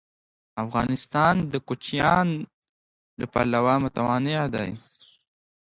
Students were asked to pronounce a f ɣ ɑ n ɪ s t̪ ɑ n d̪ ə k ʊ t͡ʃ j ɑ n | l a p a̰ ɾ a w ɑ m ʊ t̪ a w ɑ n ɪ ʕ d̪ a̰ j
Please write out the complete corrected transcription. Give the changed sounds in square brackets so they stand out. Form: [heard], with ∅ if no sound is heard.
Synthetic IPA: a f ɣ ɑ n ɪ s t̪ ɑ n d̪ ə k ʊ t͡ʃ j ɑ n | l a p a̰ [l] a w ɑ m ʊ t̪ a w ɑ n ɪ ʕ d̪ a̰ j